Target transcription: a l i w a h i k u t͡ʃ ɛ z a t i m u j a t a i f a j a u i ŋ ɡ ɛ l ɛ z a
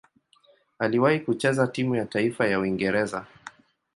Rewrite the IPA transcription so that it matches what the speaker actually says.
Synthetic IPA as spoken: a l i w a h i k u t͡ʃ ɛ z a t i m u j a t a i f a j a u i ŋ ɡ ɛ ɾ ɛ z a

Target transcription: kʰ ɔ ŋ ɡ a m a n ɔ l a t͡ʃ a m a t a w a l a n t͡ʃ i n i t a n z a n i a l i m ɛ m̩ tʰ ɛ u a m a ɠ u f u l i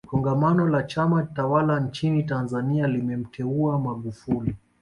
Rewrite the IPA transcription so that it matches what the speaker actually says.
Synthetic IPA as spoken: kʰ ɔ ŋ ɡ a m a n ɔ l a t͡ʃ a m a t a w a l a n t͡ʃ i n i t a n z a n i a l i m ɛ m̩ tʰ ɛ u a m a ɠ u f u l i

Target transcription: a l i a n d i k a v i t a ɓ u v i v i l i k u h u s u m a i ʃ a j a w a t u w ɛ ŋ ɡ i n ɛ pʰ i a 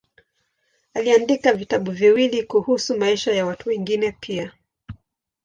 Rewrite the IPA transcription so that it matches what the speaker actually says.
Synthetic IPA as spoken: a l i a n d i k a v i t a ɓ u v i w i l i k u h u s u m a i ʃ a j a w a t u w ɛ ŋ ɡ i n ɛ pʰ i a

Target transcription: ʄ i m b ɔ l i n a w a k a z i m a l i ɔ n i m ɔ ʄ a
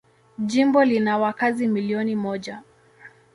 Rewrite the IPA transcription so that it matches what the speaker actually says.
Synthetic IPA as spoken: ʄ i m b ɔ l i n a w a k a z i m i l i ɔ n i m ɔ ʄ a

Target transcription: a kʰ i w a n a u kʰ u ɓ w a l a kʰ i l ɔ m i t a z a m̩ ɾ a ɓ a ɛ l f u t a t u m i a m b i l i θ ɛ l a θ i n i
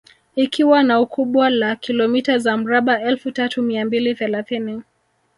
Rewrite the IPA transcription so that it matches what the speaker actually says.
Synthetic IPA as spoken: i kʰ i w a n a u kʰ u ɓ w a l a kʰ i l ɔ m i t a z a m̩ ɾ a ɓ a ɛ l f u t a t u m i a m b i l i θ ɛ l a θ i n i

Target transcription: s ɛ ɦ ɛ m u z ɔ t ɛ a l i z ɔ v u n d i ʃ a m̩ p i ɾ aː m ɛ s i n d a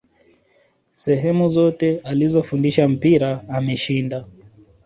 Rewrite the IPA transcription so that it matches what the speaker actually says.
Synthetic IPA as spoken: s ɛ ɦ ɛ m u z ɔ t ɛ a l i z ɔ f u n d i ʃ a m̩ p i ɾ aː m ɛ ʃ i n d a

